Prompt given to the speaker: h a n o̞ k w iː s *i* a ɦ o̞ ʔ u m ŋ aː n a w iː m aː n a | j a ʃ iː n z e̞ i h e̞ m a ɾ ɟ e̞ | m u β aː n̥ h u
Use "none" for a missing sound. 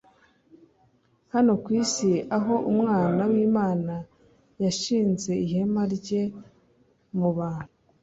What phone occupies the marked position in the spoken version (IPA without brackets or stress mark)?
i